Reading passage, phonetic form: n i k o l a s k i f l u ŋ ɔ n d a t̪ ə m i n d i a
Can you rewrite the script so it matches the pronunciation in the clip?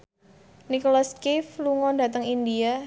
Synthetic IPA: n i k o l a s k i f l u ŋ ɔ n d a t̪ ə ŋ i n d i a